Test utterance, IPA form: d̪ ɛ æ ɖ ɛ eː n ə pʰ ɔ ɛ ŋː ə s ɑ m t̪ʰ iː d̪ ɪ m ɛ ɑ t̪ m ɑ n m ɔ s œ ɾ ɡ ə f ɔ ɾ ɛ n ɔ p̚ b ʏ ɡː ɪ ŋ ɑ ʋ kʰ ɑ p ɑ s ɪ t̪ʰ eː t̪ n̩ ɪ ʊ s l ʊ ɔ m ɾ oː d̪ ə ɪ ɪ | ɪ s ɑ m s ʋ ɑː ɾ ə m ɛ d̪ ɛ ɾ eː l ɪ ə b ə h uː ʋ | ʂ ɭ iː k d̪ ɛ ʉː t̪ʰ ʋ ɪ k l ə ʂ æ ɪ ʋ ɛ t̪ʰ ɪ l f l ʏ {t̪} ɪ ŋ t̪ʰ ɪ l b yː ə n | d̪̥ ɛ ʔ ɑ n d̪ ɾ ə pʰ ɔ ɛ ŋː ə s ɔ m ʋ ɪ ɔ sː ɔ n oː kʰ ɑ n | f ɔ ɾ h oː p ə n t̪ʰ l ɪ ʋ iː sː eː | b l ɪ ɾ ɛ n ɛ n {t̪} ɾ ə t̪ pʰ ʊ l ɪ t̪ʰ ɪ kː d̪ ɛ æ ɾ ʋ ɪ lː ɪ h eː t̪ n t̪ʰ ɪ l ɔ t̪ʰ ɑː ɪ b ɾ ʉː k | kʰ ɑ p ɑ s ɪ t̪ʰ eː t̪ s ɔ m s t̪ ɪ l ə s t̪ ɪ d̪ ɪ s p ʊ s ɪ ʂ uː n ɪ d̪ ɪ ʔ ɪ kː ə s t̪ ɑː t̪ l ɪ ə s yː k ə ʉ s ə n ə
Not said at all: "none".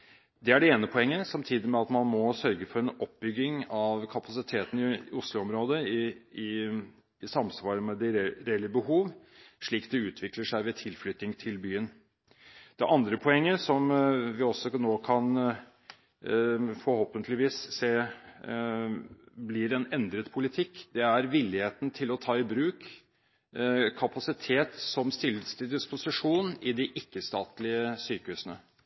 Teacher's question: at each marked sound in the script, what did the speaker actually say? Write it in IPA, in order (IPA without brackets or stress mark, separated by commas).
t̪, d̪